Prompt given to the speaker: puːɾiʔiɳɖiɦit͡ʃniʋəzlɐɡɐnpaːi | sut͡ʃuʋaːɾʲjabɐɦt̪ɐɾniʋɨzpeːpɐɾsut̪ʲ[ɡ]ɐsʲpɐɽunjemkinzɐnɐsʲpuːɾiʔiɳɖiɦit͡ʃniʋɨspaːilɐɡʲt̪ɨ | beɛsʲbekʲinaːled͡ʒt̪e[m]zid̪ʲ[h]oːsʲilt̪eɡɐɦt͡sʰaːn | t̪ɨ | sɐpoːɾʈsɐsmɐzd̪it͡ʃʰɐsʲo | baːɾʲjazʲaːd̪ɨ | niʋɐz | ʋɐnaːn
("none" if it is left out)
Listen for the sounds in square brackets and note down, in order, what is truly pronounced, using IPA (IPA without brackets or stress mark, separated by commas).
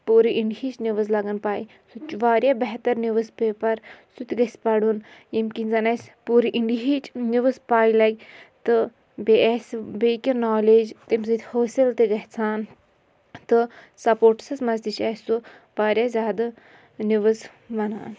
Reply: ɡ, m, h